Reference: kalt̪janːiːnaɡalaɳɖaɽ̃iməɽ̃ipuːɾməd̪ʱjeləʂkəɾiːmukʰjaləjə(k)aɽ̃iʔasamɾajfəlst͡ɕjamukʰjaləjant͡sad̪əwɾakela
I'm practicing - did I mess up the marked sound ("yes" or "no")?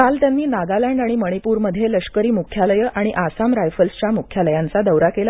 yes